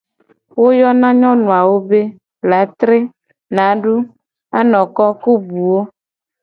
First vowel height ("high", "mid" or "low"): mid